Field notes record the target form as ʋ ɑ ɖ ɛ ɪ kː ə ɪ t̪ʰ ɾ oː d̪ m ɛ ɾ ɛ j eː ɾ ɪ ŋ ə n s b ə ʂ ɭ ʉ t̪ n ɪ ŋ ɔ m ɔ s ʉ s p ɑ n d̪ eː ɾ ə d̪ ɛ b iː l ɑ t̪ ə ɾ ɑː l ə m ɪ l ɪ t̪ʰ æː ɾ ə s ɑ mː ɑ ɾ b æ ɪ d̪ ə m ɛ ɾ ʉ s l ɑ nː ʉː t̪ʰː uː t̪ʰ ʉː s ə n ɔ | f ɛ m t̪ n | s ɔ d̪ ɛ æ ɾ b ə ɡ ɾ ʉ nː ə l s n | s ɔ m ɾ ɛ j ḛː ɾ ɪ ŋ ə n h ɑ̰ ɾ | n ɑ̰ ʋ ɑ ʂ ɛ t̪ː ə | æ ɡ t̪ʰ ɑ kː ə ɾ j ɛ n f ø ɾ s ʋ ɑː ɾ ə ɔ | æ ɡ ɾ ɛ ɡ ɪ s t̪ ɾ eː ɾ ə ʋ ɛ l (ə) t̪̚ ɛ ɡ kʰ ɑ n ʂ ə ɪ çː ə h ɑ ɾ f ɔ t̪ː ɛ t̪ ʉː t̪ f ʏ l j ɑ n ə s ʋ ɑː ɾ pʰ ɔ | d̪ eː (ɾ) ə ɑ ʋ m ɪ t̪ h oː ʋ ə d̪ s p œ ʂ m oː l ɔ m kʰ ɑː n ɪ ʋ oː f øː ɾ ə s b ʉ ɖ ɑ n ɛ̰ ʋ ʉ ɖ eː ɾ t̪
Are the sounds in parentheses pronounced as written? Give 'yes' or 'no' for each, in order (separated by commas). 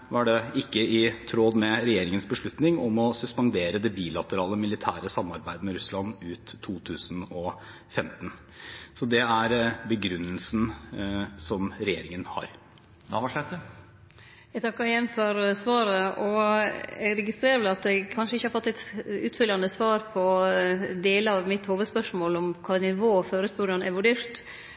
no, no